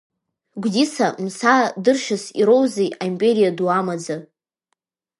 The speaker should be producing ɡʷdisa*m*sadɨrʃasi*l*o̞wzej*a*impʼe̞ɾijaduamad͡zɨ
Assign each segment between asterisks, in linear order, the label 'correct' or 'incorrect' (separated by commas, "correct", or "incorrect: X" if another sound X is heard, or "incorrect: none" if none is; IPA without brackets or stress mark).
correct, incorrect: ɾ, correct